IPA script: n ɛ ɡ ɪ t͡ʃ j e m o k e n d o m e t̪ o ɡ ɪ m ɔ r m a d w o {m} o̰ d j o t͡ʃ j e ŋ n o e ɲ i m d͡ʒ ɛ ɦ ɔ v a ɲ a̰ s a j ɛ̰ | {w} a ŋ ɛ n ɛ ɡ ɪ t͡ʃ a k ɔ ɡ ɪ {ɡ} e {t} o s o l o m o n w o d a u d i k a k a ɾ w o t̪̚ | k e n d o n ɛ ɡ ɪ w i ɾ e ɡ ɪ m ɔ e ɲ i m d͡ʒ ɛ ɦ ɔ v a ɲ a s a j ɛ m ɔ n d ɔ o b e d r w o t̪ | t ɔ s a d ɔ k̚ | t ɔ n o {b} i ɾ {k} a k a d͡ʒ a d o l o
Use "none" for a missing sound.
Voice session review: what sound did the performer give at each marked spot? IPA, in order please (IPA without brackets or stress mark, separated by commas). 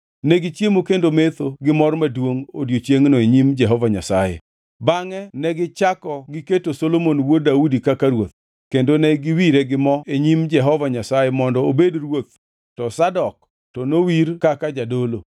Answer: ŋ, b, k, t, w, k